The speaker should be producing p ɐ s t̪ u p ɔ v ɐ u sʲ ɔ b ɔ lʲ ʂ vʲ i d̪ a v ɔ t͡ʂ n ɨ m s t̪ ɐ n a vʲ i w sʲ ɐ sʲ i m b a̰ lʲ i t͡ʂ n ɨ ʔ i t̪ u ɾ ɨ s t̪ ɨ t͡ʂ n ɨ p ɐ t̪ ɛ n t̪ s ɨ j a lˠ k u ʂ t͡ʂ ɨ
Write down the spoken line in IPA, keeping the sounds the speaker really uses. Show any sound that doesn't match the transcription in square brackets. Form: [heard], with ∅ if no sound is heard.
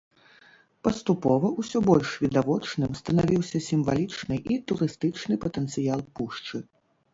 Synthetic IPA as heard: p ɐ s t̪ u p ɔ v ɐ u sʲ ɔ b ɔ lʲ ʂ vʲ i d̪ a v ɔ t͡ʂ n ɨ m s t̪ ɐ n a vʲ i w sʲ ɐ sʲ i m [v] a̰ lʲ i t͡ʂ n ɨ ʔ i t̪ u ɾ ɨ s t̪ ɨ t͡ʂ n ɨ p ɐ t̪ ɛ n t̪ s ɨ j a lˠ [p] u ʂ t͡ʂ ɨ